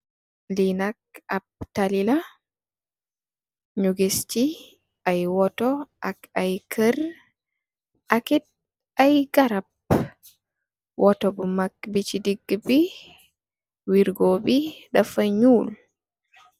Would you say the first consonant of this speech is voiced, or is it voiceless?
voiced